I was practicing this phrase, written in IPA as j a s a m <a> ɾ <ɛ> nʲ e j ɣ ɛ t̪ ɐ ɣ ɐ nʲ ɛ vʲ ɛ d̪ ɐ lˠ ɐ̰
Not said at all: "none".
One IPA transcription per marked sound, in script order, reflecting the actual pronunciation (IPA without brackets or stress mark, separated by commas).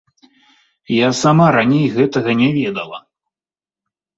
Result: a, a